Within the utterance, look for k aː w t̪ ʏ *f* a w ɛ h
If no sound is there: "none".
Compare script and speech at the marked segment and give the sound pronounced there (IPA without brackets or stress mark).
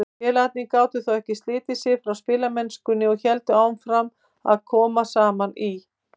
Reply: θ